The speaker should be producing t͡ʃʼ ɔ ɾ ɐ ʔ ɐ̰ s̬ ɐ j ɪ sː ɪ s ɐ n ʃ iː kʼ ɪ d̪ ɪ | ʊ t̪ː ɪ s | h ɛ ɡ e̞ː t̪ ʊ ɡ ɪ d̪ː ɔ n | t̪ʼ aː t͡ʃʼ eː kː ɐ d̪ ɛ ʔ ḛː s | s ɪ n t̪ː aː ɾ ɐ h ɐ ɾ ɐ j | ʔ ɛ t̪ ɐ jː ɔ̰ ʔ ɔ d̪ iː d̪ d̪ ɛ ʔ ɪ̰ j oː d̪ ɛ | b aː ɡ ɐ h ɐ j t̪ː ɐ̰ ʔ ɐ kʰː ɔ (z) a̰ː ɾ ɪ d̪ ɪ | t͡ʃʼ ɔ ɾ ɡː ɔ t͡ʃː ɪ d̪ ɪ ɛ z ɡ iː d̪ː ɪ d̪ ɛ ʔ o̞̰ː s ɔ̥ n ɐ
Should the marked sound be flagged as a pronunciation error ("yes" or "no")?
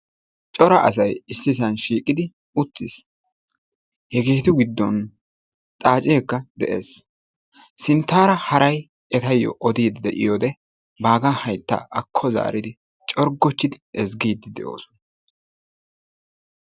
no